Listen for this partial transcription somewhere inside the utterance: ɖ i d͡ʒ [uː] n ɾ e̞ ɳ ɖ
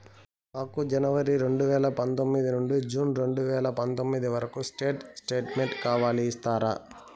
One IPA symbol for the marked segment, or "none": uː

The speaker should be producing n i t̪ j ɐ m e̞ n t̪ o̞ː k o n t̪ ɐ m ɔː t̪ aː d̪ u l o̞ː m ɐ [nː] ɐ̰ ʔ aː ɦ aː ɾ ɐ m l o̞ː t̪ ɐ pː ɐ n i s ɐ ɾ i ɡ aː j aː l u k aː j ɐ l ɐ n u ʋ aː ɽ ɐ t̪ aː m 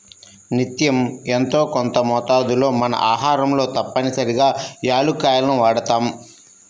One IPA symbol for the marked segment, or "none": n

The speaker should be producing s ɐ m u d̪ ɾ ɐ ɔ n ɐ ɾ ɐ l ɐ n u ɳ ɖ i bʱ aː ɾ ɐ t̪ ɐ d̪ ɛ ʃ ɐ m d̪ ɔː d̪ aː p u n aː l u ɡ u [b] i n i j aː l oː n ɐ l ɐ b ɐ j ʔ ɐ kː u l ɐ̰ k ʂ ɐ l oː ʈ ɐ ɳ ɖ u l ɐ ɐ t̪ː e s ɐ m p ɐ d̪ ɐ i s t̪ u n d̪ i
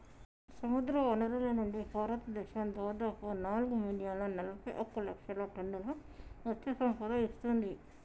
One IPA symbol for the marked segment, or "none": m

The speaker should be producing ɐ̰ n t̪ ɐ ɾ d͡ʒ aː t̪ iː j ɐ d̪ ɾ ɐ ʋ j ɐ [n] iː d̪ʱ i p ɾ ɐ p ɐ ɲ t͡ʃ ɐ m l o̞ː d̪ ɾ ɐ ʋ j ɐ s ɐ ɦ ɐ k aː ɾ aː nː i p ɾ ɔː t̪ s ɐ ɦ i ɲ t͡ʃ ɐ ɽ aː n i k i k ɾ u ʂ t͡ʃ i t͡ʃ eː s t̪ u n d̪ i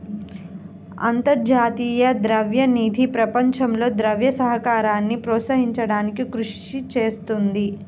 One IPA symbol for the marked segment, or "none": n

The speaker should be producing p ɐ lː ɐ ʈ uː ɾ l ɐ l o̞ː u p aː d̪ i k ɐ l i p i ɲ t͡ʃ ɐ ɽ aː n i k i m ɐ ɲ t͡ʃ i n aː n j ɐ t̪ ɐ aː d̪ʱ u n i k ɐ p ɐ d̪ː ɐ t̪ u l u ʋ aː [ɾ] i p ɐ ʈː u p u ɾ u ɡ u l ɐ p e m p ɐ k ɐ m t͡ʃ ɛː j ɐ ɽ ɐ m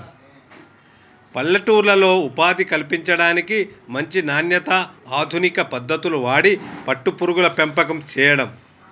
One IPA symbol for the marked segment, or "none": ɽ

